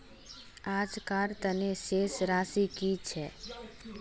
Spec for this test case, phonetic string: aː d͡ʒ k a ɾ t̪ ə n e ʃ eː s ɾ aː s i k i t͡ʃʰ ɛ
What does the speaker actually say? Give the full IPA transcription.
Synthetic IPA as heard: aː d͡ʒ k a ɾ t̪ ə n e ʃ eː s ɾ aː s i k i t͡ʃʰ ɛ

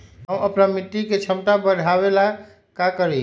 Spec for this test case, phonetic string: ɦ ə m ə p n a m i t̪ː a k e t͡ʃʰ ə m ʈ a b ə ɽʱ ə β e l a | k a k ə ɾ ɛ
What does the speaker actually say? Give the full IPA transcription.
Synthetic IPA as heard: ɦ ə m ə p n a m i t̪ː i k e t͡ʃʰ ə m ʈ a b ə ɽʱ a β e l a | k a k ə ɾ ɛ

